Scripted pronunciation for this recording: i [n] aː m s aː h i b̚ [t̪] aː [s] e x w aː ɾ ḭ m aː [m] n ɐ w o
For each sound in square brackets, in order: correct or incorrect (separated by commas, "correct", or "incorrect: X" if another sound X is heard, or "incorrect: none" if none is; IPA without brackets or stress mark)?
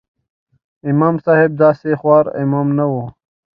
incorrect: m, incorrect: d̪, correct, correct